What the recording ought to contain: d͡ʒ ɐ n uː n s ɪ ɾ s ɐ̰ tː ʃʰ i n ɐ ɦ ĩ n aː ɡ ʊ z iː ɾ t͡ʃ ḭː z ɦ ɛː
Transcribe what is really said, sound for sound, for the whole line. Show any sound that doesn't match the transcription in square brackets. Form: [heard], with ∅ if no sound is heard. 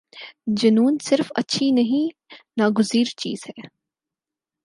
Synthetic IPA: d͡ʒ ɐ n uː n s ɪ ɾ [f] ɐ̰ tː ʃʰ i n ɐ ɦ ĩ n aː ɡ ʊ z iː ɾ t͡ʃ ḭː z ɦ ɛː

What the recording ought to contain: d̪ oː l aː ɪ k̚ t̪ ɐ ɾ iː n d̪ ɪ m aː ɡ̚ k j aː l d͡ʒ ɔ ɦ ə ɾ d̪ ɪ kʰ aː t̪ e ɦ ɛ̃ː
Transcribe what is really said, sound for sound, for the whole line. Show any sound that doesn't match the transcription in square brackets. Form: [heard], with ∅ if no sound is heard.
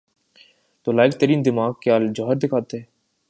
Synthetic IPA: [t̪] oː l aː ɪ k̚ t̪ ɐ ɾ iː n d̪ ɪ m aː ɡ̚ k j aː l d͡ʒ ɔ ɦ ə ɾ d̪ ɪ kʰ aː t̪ e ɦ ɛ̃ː

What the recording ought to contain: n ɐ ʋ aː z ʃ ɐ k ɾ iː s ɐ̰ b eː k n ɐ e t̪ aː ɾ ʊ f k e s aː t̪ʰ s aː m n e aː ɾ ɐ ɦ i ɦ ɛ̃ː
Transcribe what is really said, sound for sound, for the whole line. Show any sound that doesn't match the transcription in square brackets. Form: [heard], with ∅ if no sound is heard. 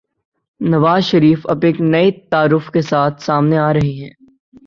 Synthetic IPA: n ɐ ʋ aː z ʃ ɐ [∅] ɾ iː [f] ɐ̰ b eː k n ɐ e t̪ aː ɾ ʊ f k e s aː t̪ʰ s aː m n e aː ɾ ɐ ɦ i ɦ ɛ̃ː

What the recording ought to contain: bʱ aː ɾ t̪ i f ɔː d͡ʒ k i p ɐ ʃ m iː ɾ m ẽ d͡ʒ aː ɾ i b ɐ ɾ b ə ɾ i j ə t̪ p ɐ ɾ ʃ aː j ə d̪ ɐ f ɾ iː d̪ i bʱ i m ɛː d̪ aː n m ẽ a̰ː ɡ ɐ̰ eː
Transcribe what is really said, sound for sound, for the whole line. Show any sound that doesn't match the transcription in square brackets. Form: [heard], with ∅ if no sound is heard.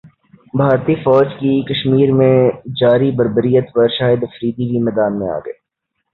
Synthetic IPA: bʱ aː ɾ t̪ i f ɔː d͡ʒ k i [k] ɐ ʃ m iː ɾ m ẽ d͡ʒ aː ɾ i b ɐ ɾ b ə ɾ i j ə t̪ p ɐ ɾ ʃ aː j ə d̪ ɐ f ɾ iː d̪ i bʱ i m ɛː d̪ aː n m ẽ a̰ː ɡ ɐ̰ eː

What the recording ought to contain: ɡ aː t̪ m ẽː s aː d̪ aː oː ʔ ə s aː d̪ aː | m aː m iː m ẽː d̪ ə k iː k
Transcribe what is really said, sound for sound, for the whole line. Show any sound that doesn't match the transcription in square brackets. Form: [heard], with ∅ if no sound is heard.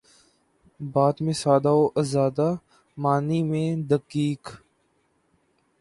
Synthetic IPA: [b] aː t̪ m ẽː s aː d̪ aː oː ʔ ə [z] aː d̪ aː | m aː [n] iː m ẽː d̪ ə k iː k

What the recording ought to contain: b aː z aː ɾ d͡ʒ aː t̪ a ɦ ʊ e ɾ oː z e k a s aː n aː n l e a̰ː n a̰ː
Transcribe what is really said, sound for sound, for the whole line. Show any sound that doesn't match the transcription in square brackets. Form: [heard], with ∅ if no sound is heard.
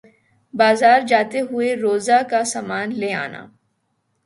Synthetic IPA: b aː z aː ɾ d͡ʒ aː t̪ [e] ɦ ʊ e ɾ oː z [a] k a s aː [m] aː n l e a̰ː n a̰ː

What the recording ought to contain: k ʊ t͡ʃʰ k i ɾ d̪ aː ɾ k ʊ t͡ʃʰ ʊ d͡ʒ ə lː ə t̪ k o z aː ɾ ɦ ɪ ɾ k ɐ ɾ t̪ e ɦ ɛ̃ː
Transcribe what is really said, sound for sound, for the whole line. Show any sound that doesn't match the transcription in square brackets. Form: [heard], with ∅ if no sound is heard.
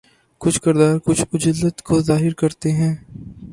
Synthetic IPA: k ʊ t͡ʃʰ k [ɪ] ɾ d̪ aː ɾ k ʊ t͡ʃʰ ʊ d͡ʒ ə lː ə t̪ k o z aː [∅] ɦ ɪ ɾ k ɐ ɾ t̪ e ɦ ɛ̃ː

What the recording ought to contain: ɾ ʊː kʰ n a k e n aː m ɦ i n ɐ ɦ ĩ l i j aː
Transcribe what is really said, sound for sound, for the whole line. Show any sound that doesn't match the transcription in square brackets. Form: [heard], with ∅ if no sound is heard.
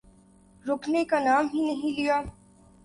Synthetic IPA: ɾ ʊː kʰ n [e] k [a] n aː m ɦ i n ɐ ɦ ĩ l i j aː

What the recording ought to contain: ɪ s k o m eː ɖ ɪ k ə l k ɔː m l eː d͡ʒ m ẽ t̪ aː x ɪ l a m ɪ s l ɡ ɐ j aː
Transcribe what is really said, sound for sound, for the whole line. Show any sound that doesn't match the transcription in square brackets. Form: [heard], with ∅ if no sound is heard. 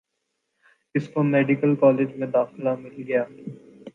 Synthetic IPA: ɪ s k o m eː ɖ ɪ k ə l k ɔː [∅] l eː d͡ʒ m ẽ [d̪] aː x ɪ l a m ɪ [∅] l ɡ ɐ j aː

